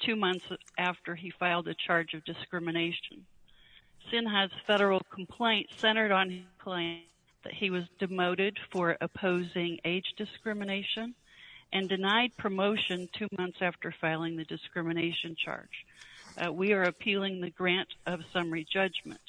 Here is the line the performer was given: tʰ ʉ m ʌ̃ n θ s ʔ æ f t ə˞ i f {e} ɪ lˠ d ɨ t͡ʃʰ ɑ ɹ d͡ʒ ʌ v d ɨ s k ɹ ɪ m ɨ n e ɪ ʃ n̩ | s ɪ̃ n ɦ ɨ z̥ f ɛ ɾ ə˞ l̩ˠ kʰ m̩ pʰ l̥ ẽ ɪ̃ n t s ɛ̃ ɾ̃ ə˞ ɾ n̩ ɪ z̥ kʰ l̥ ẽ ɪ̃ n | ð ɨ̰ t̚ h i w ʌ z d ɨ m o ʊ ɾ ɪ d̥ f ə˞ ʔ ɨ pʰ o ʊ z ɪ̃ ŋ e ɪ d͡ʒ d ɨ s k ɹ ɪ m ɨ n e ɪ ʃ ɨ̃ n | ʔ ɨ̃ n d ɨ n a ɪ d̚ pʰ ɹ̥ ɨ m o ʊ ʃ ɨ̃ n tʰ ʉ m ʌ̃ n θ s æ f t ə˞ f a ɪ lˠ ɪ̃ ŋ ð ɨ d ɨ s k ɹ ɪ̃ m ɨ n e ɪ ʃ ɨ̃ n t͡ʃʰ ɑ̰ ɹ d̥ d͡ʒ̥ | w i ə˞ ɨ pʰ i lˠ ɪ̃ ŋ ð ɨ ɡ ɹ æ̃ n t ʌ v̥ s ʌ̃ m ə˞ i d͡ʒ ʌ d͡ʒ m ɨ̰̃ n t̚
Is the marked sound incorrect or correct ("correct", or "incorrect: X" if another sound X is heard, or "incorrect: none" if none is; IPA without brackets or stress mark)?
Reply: incorrect: a